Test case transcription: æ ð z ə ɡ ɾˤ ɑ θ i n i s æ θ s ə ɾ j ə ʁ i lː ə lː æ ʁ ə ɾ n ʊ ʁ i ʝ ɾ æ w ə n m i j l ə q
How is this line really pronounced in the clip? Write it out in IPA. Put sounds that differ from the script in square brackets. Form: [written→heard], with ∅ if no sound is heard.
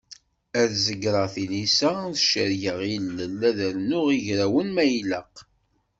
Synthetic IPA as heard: æ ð z ə ɡ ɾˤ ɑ θ i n i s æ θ [s→ʃ] ə ɾ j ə ʁ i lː ə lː æ [ʁ→ð] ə ɾ n ʊ ʁ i ʝ ɾ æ w ə n m [i→æ] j l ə q

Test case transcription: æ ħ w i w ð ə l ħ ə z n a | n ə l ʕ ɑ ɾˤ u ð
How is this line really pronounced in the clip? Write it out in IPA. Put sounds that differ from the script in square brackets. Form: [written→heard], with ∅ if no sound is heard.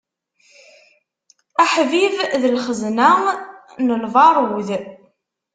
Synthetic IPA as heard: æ ħ [w→v] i [w→v] ð ə l [ħ→χ] ə z n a | n ə l [ʕ→v] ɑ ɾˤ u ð

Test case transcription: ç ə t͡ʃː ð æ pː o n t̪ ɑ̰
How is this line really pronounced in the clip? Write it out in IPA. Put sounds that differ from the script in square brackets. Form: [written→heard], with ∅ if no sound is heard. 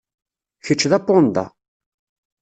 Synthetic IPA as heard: ç ə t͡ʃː ð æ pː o n [t̪→d̪] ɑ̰

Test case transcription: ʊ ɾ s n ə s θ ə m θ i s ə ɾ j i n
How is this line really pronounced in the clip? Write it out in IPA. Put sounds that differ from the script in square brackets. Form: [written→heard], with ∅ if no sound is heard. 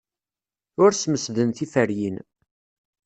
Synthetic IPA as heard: ʊ ɾ s [n→m] ə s [θ→ð] ə [m→n] θ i [s→f] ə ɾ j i n

